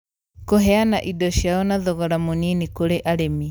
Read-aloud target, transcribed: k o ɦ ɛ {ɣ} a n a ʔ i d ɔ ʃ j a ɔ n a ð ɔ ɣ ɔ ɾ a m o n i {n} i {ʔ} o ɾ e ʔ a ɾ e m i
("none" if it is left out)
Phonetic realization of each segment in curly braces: none, n, k

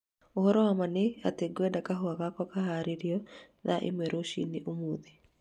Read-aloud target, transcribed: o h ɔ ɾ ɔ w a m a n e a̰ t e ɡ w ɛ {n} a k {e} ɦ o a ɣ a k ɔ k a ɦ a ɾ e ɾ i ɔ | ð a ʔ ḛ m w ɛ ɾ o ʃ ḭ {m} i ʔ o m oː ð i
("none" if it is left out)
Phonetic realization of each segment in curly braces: d, a, n

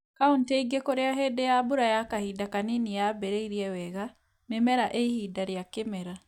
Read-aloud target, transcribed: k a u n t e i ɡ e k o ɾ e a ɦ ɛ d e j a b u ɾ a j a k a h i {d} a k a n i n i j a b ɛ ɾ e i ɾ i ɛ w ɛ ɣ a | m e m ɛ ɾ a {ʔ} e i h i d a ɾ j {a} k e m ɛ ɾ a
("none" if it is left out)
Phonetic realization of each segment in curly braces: d, ʔ, a

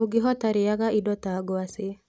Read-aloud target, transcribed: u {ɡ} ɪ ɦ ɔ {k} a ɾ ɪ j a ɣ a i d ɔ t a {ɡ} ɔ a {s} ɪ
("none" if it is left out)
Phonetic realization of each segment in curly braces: ɡ, t, ɡ, s

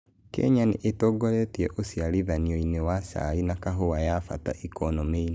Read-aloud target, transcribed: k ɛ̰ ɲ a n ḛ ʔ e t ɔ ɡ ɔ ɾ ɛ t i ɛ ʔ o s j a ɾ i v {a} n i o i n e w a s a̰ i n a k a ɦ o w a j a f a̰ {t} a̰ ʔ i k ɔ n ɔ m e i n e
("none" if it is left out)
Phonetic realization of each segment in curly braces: a, t

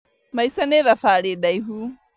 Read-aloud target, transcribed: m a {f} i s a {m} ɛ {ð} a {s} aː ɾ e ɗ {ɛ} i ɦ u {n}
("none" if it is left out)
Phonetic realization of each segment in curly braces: none, n, ð, f, a, none

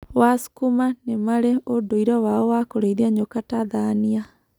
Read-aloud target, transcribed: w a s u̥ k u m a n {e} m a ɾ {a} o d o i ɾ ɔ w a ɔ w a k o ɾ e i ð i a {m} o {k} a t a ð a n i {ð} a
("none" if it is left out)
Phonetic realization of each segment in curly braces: e, e, ɲ, k, none

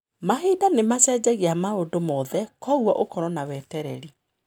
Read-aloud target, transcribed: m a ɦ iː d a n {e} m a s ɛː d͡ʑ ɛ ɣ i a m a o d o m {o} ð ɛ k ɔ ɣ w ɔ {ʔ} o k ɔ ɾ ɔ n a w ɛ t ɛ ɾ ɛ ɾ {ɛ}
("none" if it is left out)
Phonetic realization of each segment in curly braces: e, ɔ, ʔ, i

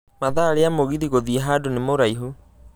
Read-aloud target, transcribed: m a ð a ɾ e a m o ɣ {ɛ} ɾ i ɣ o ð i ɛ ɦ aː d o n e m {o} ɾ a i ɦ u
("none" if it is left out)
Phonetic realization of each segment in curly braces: i, o

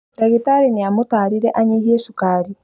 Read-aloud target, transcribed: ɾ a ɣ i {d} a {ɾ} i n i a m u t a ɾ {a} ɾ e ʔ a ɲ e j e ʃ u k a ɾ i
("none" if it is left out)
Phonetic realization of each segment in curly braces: t, ɾ, i

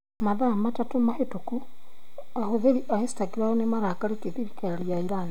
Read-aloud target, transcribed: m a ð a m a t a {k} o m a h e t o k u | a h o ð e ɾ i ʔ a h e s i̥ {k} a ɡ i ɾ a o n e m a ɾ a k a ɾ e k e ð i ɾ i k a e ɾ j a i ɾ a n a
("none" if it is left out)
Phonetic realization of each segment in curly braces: t, t

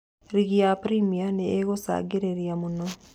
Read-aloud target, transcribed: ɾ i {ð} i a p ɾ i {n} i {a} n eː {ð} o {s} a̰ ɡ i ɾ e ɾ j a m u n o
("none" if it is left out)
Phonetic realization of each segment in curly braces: ɣ, m, a, ɣ, s

